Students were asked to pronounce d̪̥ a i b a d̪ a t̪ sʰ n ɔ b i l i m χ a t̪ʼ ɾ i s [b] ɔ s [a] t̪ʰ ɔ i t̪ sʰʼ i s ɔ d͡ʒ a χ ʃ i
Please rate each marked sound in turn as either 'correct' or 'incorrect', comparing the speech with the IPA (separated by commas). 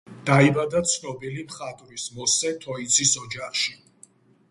incorrect, incorrect